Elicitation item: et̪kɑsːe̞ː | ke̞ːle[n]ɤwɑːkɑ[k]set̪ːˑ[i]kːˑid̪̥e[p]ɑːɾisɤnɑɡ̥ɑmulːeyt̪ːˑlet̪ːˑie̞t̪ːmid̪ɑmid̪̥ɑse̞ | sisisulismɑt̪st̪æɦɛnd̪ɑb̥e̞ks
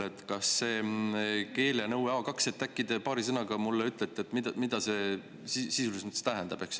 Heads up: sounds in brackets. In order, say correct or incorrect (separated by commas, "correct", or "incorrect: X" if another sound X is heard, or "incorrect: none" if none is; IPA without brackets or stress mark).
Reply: correct, correct, incorrect: æ, correct